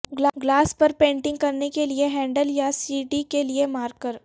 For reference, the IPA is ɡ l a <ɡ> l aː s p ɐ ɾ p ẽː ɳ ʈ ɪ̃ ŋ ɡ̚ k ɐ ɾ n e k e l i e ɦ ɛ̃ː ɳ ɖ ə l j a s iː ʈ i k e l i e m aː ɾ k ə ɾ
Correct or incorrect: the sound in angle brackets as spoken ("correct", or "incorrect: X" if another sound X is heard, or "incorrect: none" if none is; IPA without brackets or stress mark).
correct